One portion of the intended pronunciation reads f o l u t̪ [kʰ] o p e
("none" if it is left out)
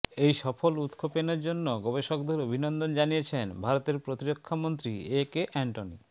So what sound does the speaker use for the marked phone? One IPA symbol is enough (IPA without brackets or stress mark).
kʰ